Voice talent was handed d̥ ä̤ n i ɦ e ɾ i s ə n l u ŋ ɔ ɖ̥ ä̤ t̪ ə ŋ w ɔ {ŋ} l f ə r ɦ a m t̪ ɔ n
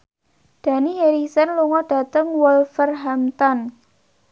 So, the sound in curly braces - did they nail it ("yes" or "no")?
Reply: no